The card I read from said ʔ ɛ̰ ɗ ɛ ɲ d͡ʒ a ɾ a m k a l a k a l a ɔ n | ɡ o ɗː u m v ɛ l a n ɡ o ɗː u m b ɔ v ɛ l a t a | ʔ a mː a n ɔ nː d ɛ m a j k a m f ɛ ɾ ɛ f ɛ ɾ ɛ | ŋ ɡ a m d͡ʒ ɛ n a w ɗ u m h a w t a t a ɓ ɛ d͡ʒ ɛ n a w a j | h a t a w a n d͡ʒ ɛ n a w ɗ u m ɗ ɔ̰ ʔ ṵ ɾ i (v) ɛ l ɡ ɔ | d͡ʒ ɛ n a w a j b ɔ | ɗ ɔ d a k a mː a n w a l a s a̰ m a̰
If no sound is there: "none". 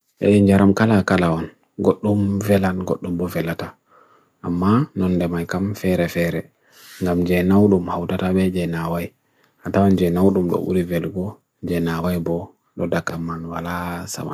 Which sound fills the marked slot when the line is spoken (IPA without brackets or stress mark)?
v